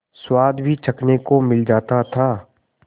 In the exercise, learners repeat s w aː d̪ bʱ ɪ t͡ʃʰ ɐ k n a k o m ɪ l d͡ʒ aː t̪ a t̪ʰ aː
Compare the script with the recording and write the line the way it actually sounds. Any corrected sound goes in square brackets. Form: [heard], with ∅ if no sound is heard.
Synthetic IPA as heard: s w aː d̪ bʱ [i] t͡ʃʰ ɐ k n [e] k o m ɪ l d͡ʒ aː t̪ a t̪ʰ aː